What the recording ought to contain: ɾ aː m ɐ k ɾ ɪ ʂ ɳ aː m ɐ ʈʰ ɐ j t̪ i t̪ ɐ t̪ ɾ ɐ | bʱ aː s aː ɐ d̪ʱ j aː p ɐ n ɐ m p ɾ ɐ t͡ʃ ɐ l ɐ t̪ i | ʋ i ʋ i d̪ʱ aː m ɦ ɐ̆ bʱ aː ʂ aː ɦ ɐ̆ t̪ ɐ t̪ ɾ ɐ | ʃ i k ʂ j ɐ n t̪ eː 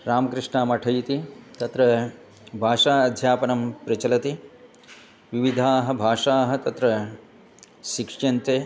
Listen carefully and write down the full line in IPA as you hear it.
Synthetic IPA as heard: ɾ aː m ɐ k ɾ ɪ ʂ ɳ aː m ɐ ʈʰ ɐ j t̪ i t̪ ɐ t̪ ɾ ɐ | bʱ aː ʂ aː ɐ d̪ʱ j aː p ɐ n ɐ m p ɾ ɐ t͡ʃ ɐ l ɐ t̪ i | ʋ i ʋ i d̪ʱ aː ɦ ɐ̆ bʱ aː ʂ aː ɦ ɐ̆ t̪ ɐ t̪ ɾ ɐ | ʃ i k ʂ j ɐ n t̪ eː

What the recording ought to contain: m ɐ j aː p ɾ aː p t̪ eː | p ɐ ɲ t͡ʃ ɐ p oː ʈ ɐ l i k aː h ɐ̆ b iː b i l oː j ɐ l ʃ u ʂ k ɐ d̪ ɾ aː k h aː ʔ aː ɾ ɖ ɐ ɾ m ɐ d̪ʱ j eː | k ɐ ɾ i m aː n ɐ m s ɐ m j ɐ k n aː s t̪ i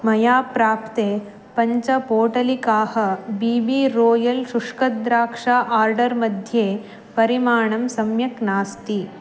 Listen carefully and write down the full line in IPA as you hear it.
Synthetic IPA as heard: m ɐ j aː p ɾ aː p t̪ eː | p ɐ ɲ t͡ʃ ɐ p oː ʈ ɐ l i k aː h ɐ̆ b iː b i ɾ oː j ɐ l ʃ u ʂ k ɐ d̪ ɾ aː k ʂ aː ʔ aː ɾ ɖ ɐ ɾ m ɐ d̪ʱ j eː | p ɐ ɾ i m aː ɳ ɐ m s ɐ m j ɐ k n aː s t̪ i

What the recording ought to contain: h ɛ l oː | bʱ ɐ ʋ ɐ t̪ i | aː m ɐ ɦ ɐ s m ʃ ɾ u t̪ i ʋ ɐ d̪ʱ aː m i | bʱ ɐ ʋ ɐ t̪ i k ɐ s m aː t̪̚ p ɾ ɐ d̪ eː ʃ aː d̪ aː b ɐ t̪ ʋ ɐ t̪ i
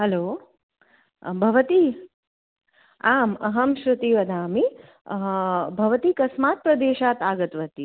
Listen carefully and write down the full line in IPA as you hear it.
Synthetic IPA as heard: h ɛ l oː | bʱ ɐ ʋ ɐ t̪ i | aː m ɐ ɦ ɐ m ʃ ɾ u t̪ i ʋ ɐ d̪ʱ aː m i | bʱ ɐ ʋ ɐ t̪ i k ɐ s m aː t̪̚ p ɾ ɐ d̪ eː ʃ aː t̪ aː ɡ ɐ t̪ ʋ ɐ t̪ i

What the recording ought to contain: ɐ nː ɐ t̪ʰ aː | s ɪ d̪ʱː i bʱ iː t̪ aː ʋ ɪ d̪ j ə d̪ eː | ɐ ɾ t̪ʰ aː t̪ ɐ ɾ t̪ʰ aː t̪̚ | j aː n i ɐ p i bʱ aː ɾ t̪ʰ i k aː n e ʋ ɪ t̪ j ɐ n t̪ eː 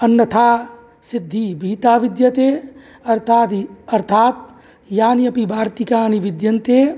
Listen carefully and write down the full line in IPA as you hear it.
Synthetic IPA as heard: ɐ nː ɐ t̪ʰ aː | s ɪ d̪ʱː i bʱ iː t̪ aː ʋ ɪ d̪ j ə t̪ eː | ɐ ɾ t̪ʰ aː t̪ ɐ ɾ t̪ʰ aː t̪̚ | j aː n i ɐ p i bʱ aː ɾ t̪ i k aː n i ʋ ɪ d̪ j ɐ n t̪ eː

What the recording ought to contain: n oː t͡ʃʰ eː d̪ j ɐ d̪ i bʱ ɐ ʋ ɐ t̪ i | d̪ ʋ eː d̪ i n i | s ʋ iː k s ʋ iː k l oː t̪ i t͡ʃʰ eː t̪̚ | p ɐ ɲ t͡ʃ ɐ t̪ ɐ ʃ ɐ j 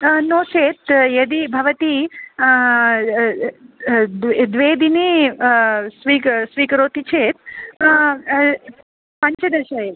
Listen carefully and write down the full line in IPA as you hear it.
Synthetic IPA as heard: n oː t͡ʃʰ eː t̪ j ɐ d̪ i bʱ ɐ ʋ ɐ t̪ i | d̪ ʋ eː d̪ i n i | s ʋ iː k s ʋ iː k ɾ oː t̪ i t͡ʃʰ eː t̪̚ | p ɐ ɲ t͡ʃ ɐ d̪ ɐ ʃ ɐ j

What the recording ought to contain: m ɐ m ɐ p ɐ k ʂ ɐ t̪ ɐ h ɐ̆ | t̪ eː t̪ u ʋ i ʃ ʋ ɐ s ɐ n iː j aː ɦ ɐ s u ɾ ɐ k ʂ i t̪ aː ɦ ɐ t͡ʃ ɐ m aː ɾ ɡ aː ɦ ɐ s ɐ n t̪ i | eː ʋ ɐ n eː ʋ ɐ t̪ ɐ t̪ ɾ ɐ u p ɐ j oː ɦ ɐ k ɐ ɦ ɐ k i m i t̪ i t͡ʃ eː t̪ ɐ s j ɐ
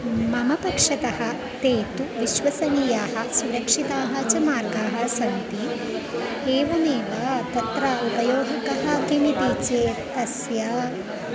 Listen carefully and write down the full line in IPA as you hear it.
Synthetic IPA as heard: m ɐ m ɐ p ɐ k ʂ ɐ t̪ ɐ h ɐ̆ | t̪ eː t̪ u ʋ i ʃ ʋ ɐ s ɐ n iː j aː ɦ ɐ s u ɾ ɐ k ʂ i t̪ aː ɦ ɐ t͡ʃ ɐ m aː ɾ ɡ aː ɦ ɐ s ɐ n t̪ i | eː ʋ ɐ n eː ʋ ɐ t̪ ɐ t̪ ɾ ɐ u p ɐ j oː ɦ ɐ k ɐ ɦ ɐ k i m i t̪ i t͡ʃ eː t̪ ɐ s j ɐ

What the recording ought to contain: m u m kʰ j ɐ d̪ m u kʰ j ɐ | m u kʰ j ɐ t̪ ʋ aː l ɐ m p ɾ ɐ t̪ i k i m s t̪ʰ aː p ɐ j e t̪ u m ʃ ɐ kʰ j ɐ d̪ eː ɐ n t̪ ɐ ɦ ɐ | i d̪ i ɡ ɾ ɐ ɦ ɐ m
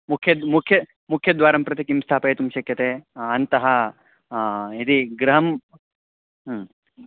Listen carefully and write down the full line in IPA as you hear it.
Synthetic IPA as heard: m u kʰ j ɐ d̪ m u kʰ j ɐ | m u kʰ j ɐ d̪ ʋ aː ɾ ɐ m p ɾ ɐ t̪ i k i m s t̪ʰ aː p ɐ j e t̪ u m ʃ ɐ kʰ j ɐ t̪ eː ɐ n t̪ ɐ ɦ ɐ | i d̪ i ɡ ɾ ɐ ɦ ɐ m

